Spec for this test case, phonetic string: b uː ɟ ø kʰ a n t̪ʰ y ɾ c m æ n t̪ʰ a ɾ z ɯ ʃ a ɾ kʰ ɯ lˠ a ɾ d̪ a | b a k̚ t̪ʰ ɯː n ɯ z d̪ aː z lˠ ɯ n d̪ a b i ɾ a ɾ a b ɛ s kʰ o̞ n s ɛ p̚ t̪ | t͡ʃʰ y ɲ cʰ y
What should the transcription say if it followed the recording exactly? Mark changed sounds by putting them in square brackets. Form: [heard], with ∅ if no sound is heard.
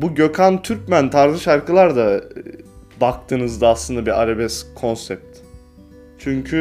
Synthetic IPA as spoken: b [u] ɟ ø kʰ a n t̪ʰ y ɾ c m æ n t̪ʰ a ɾ z ɯ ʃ a ɾ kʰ ɯ lˠ a ɾ d̪ a | b a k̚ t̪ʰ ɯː n ɯ z d̪ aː [s] lˠ ɯ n d̪ a b i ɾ a ɾ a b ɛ s kʰ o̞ n s ɛ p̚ t̪ | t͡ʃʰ y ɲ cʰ y